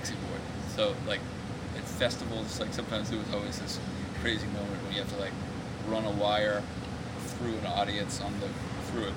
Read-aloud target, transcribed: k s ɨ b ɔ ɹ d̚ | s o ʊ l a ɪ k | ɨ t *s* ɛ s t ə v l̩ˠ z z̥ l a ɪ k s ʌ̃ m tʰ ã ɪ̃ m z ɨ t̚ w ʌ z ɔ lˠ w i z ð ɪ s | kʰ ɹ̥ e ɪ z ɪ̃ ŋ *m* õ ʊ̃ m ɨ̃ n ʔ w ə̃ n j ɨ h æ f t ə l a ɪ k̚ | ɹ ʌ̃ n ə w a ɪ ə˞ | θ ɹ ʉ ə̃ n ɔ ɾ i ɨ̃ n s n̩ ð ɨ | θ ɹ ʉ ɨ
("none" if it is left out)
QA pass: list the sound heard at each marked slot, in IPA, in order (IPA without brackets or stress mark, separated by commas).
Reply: f, m